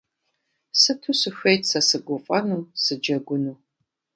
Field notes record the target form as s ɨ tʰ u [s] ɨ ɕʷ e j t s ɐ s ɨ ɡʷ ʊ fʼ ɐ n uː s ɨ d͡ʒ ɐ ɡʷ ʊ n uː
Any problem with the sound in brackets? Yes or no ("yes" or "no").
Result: no